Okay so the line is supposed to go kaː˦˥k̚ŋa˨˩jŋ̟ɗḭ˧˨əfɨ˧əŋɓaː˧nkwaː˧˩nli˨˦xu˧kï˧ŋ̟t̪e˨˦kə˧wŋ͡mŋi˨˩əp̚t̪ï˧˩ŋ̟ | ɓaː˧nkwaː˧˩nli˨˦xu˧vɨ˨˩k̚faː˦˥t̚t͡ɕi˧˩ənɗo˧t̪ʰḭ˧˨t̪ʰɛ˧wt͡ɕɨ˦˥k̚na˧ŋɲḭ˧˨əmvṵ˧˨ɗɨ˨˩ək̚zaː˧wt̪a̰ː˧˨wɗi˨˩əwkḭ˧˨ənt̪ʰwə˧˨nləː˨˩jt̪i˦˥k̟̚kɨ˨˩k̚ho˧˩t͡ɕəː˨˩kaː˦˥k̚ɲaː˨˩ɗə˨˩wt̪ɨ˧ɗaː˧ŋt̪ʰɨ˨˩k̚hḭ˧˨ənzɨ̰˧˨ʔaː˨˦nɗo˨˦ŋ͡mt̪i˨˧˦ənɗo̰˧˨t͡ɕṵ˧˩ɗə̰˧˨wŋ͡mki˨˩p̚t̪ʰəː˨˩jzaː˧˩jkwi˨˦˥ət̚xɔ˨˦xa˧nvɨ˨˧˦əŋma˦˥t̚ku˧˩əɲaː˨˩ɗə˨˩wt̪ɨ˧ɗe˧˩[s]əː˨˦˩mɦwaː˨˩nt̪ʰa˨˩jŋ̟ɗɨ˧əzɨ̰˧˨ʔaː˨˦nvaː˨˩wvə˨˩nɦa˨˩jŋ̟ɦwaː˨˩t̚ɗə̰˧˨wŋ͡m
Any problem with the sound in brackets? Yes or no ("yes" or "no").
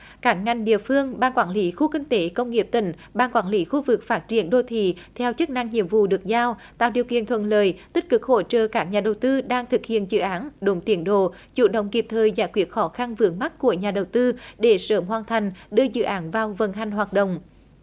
no